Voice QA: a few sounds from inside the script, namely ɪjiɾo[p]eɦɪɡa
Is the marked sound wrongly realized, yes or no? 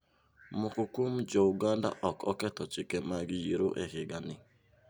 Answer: yes